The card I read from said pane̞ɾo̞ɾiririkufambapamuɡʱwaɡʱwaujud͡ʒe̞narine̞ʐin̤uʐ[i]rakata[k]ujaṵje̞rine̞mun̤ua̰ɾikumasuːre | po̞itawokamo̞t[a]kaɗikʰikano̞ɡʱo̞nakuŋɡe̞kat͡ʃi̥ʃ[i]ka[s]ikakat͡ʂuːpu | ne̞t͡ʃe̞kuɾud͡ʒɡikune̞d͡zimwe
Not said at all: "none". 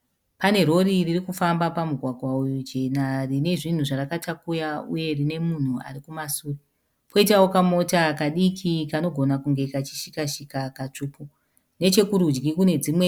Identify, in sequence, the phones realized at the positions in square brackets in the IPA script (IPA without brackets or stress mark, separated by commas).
a, k, a, i, ʃ